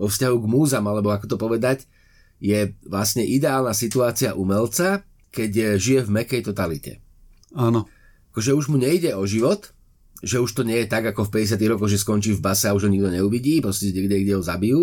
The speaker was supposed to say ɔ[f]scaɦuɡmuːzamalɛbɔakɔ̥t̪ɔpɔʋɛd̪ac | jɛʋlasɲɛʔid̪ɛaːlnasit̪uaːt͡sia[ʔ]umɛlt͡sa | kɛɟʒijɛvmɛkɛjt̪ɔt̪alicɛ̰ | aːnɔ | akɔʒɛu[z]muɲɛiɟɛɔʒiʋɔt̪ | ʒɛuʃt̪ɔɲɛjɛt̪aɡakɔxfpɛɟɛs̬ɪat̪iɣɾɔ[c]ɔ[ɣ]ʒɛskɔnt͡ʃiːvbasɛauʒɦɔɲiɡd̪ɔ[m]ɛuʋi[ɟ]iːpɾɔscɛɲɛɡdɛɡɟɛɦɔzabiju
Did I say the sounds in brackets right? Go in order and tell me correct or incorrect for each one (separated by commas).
correct, correct, incorrect, incorrect, correct, incorrect, correct